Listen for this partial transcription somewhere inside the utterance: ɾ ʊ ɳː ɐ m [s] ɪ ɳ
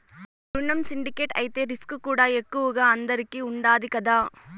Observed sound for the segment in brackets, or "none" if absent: s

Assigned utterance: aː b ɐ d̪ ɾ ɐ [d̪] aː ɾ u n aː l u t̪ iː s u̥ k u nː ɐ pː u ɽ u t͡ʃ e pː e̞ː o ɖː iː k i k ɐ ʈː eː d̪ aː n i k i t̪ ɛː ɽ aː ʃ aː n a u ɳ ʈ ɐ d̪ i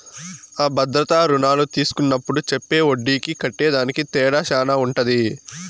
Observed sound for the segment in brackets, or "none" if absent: t̪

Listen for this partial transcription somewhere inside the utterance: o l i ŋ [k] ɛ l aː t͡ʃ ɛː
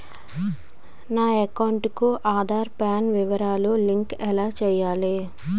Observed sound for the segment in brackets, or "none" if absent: k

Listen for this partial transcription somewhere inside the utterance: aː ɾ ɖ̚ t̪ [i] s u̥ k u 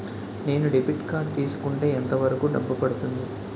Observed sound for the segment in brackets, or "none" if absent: iː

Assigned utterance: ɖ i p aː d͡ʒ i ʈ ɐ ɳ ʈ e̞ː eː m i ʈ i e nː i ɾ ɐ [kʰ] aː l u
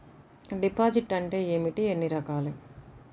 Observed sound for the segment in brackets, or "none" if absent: k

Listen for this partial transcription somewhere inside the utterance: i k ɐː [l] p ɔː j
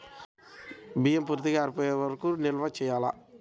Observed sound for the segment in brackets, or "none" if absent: ɾ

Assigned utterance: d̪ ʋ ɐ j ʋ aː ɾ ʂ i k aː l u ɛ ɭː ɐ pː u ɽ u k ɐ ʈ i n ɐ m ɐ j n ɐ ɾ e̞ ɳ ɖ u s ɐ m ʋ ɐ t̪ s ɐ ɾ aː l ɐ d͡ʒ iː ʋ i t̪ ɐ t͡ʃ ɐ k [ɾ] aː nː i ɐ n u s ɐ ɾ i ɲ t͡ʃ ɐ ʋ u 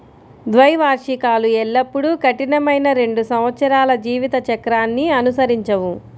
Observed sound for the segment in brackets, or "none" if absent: ɾ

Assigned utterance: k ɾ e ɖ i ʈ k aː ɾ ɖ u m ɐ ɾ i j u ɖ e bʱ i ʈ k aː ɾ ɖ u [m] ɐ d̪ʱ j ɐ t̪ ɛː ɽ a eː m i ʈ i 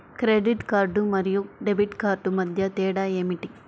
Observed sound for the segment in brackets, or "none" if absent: m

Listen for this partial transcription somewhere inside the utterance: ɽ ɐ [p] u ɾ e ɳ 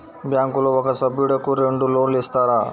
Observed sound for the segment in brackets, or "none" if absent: k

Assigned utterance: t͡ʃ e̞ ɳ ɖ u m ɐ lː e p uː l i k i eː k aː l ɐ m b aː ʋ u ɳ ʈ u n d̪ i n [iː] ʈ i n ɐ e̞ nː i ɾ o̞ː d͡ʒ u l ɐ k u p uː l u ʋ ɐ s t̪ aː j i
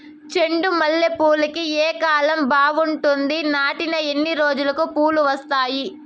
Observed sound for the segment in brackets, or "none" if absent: aː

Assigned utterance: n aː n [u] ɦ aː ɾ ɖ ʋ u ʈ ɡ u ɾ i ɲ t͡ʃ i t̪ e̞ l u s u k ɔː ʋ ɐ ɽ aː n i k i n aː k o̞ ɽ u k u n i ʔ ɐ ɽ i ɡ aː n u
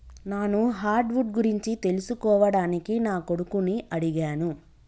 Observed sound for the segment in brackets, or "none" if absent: u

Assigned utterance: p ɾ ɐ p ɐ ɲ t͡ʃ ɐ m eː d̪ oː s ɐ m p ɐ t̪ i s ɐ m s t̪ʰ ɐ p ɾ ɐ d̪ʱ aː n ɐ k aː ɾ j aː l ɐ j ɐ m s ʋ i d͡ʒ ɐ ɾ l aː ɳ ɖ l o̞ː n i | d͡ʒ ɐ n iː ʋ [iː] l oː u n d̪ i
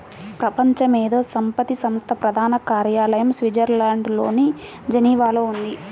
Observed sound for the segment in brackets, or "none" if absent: aː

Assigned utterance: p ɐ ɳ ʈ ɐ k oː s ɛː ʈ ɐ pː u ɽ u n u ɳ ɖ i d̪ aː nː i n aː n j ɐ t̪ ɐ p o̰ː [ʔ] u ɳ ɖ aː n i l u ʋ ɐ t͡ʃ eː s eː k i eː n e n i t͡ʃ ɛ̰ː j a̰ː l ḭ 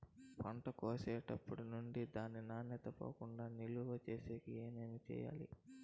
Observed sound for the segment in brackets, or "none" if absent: k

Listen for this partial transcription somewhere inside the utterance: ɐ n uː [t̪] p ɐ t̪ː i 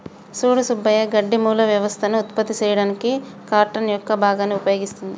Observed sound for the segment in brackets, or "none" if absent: t̪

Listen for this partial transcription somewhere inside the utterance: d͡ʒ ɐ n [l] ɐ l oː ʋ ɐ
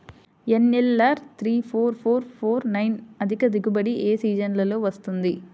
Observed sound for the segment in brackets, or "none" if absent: l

